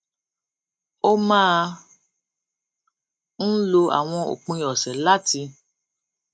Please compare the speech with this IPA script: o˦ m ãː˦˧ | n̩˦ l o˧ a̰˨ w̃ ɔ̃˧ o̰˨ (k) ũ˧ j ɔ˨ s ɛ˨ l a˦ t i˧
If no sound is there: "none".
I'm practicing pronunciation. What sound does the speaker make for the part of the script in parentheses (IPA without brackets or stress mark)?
k͡p